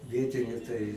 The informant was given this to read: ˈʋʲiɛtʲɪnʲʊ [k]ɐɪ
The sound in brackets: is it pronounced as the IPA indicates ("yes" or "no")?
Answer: no